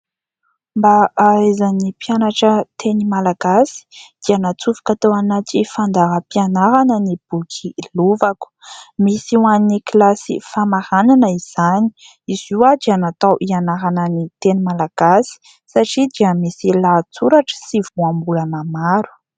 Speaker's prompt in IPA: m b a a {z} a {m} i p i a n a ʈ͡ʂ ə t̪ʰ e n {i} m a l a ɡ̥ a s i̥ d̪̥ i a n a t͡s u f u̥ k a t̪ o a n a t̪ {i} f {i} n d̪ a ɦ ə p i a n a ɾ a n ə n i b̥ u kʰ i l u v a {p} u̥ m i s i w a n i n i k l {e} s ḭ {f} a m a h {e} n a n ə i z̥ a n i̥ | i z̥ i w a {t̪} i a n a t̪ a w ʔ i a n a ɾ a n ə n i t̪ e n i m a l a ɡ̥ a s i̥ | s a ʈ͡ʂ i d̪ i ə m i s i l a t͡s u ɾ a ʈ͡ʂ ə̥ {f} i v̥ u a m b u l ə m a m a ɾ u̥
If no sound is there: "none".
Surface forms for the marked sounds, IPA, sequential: z, n, i, i, a, k, a, f, a, d̪, s

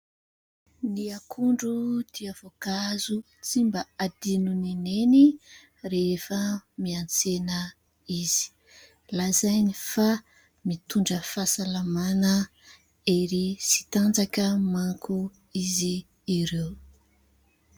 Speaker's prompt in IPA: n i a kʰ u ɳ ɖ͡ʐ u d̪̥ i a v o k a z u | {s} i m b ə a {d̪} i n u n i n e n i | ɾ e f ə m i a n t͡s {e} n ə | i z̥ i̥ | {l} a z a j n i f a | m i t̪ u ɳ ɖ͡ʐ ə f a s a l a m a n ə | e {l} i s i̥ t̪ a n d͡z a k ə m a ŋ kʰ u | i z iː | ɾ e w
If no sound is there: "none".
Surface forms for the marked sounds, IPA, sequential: t͡s, d̪, e, l, ɾ

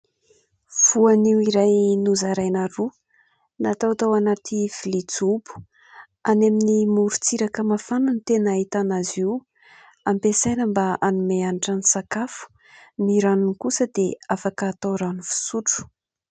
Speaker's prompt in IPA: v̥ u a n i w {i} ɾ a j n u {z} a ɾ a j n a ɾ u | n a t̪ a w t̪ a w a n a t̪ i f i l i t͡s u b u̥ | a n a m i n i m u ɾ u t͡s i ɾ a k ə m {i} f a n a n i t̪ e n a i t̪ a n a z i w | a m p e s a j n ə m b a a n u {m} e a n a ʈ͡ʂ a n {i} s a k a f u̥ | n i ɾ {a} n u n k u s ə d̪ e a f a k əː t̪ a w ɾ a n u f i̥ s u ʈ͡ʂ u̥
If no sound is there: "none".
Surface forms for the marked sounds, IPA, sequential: i, z, a, m, i, a

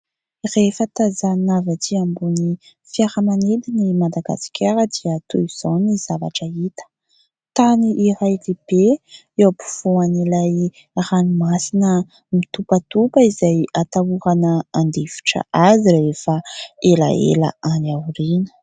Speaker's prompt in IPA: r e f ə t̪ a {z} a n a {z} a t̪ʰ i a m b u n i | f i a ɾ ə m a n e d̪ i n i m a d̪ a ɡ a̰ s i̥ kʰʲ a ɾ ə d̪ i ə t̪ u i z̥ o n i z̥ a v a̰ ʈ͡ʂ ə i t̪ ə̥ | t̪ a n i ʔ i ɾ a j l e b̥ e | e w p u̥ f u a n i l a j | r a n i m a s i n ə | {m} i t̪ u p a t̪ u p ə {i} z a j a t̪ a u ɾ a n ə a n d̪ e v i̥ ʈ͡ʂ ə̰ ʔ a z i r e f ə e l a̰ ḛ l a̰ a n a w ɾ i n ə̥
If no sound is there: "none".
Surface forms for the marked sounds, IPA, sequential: z, v, m, i

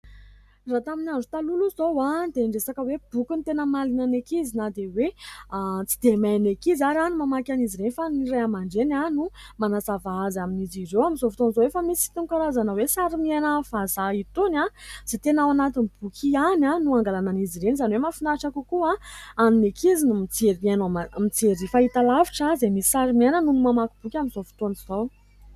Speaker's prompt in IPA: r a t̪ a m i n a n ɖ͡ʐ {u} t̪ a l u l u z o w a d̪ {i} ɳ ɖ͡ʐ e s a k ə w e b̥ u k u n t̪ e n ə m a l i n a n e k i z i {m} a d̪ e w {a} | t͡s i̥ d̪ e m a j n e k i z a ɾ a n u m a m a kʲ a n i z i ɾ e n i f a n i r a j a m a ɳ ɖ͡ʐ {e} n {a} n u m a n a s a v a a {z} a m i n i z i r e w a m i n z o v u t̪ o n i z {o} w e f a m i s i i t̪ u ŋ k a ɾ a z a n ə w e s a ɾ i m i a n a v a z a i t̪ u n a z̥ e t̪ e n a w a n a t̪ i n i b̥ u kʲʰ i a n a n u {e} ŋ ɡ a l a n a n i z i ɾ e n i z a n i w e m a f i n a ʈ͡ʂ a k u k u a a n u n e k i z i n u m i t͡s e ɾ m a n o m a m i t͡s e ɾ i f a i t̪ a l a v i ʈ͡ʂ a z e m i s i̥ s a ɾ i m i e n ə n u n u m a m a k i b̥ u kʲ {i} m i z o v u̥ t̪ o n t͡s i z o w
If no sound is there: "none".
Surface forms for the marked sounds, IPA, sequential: u, e, n, e, e, a, z, o, a, a

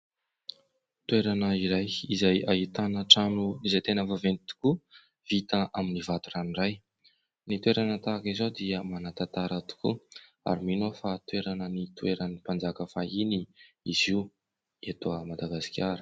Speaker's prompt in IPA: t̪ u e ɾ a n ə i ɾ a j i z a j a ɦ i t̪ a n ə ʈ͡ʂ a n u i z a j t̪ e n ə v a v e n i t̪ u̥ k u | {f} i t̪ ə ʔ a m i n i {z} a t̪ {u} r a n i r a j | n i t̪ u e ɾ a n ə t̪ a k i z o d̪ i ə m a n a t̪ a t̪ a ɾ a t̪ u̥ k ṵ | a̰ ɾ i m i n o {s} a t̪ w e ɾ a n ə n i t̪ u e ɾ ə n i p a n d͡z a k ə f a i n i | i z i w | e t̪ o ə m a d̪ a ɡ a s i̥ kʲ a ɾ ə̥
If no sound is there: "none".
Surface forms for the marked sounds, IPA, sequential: v, v, u, f

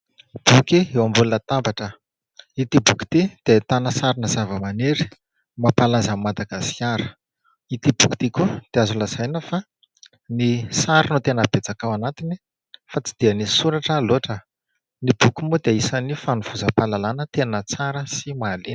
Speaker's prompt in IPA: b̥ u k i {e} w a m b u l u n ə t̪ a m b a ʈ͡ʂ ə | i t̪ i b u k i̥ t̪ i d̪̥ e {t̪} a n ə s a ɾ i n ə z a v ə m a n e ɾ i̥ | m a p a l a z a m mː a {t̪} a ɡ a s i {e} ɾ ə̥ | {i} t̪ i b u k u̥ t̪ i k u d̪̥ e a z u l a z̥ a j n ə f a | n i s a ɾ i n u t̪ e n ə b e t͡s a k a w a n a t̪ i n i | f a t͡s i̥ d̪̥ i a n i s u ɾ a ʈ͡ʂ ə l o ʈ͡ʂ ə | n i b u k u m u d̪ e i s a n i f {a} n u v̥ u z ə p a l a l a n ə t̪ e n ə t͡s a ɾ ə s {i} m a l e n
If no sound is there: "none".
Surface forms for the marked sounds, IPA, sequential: e, t̪, d̪, a, i, a, i

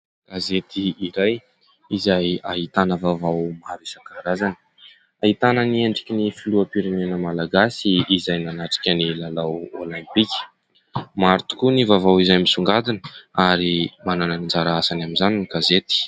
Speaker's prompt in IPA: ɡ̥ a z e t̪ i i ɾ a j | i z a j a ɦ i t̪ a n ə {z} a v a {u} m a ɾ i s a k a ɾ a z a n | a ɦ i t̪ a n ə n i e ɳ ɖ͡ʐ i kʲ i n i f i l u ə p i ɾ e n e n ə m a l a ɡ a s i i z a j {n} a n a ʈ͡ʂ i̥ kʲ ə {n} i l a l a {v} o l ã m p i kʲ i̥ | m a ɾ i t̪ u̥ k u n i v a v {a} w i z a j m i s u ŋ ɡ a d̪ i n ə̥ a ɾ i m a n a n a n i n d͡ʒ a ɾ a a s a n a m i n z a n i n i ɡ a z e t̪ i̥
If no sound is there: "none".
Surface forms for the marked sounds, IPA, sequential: v, w, n, n, w, a

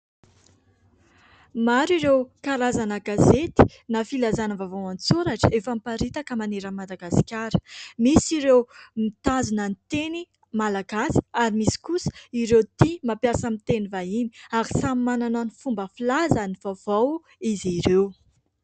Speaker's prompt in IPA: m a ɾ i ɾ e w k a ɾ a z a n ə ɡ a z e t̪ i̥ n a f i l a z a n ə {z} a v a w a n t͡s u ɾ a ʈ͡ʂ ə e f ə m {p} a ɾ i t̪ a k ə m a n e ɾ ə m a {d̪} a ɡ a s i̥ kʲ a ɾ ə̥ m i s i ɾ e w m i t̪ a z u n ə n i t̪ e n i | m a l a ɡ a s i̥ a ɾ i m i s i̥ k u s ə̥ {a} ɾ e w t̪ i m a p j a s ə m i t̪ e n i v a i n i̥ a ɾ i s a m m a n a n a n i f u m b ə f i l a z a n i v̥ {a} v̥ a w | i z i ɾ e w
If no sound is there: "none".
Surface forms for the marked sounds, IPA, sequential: v, p, d̪, i, a

